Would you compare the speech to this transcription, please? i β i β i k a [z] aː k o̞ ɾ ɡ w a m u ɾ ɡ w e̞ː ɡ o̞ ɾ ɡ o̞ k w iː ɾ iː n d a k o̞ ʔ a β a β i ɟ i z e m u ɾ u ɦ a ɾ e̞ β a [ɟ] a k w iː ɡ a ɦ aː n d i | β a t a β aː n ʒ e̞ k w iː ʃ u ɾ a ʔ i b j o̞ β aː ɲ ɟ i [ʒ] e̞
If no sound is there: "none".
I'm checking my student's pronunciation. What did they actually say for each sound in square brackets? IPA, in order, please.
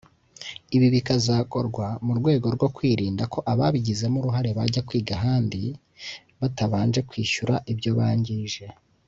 z, ɟ, ʒ

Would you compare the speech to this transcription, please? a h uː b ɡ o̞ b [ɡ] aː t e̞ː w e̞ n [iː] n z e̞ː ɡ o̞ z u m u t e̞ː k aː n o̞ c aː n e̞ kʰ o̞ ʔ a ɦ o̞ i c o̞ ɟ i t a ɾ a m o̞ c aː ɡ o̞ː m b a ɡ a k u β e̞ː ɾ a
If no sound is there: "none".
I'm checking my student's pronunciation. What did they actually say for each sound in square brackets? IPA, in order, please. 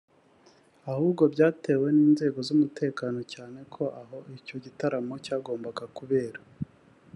ɟ, iː

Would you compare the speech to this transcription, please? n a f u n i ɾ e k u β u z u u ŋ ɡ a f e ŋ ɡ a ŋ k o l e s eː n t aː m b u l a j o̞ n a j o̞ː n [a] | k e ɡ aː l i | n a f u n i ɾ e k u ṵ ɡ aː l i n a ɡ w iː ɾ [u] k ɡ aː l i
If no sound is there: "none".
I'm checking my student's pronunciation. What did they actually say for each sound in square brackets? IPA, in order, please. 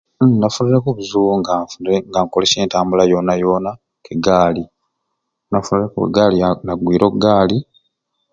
a, o

